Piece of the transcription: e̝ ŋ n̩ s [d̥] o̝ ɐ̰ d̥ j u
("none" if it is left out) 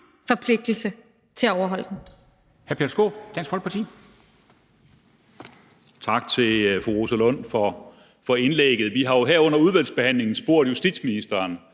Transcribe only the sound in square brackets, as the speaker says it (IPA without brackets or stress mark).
b̥